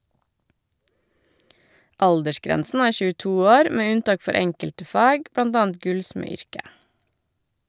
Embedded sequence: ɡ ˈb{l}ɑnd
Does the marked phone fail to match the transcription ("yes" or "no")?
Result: yes